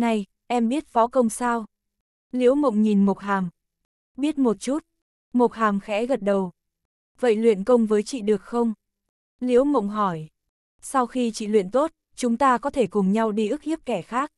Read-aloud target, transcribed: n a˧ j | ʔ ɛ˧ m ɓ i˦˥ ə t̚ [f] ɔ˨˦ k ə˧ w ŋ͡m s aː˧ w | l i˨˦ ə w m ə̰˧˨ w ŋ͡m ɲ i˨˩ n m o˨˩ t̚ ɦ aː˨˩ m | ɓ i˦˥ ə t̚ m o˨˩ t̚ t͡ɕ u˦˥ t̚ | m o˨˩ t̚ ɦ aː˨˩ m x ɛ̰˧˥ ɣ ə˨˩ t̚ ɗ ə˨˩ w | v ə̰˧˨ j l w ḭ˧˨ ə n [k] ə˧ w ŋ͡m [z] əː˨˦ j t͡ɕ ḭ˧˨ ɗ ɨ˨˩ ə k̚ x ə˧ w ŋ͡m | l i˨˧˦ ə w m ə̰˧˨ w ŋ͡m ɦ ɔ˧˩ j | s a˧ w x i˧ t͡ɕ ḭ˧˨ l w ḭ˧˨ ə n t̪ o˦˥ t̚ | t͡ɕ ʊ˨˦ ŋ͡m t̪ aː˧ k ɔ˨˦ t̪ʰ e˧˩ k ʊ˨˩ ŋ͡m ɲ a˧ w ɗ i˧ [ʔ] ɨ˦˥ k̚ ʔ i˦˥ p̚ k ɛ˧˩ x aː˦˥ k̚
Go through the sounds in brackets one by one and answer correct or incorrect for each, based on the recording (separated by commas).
correct, correct, incorrect, correct